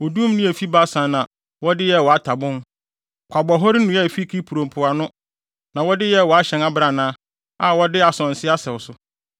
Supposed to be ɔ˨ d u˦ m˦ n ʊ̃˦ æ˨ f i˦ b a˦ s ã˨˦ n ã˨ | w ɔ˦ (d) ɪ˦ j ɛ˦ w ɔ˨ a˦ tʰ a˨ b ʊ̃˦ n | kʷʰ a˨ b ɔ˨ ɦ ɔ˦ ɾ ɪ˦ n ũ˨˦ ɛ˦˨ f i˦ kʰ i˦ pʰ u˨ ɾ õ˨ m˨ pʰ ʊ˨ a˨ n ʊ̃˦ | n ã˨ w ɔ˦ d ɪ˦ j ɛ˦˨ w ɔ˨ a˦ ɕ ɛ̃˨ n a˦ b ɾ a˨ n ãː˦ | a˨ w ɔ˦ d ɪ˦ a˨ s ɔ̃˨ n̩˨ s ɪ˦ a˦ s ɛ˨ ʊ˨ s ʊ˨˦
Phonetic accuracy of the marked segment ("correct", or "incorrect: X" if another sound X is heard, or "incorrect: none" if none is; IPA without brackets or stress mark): correct